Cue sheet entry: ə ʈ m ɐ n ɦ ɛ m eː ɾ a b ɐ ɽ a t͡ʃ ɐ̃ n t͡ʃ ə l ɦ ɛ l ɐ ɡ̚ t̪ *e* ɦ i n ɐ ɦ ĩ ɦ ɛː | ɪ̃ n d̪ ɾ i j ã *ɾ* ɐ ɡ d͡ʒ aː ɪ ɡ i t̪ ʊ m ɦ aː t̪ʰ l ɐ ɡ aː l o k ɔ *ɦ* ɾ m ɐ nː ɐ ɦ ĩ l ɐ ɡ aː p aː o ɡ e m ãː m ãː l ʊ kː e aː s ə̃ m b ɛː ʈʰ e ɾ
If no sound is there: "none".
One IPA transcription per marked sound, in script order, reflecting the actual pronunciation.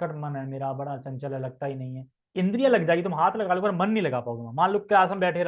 a, l, none

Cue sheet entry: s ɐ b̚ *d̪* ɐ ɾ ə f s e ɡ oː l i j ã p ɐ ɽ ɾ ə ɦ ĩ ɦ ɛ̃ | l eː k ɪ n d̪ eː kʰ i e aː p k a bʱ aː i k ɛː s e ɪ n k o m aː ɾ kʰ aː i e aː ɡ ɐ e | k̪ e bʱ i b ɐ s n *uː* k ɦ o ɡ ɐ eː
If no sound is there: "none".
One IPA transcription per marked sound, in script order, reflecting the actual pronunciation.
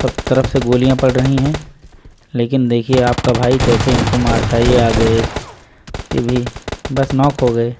t̪, ɔː

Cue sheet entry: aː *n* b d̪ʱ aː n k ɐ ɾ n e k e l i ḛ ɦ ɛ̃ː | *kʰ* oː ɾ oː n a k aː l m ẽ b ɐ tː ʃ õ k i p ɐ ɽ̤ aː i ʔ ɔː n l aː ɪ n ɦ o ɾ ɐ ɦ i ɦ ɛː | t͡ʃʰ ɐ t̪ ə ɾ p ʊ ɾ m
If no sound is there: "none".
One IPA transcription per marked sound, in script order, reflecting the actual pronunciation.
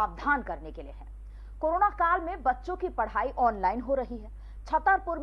none, k

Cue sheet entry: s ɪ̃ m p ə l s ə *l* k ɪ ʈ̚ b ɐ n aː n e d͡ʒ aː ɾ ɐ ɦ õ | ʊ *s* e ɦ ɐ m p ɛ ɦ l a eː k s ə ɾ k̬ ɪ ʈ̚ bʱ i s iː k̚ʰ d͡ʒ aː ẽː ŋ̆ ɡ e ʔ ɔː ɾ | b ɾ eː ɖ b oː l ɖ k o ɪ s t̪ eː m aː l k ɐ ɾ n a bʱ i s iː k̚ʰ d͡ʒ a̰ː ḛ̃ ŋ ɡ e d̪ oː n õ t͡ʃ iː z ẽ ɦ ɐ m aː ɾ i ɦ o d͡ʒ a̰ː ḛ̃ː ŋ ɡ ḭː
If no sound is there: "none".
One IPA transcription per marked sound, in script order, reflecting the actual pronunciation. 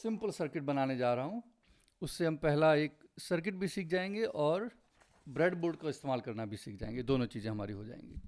ɾ, sː

